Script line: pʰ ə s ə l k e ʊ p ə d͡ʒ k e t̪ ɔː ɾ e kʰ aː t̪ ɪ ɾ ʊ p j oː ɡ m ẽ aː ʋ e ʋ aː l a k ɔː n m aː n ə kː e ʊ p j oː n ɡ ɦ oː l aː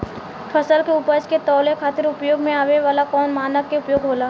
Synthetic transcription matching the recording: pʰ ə s ə l k e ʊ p ə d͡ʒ k e t̪ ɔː l e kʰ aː t̪ ɪ ɾ ʊ p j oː ɡ m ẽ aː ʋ e ʋ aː l a k ɔː n m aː n ə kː e ʊ p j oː ɡ ɦ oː l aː